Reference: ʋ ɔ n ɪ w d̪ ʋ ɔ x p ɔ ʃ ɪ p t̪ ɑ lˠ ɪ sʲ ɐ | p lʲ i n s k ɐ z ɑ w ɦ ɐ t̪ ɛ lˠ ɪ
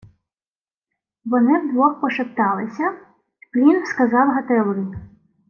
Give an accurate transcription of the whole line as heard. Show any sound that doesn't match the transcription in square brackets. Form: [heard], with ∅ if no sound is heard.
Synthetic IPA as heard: ʋ ɔ n ɪ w d̪ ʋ ɔ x p ɔ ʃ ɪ p t̪ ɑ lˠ ɪ sʲ ɐ | p lʲ i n s k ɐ z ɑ w ɦ ɐ t̪ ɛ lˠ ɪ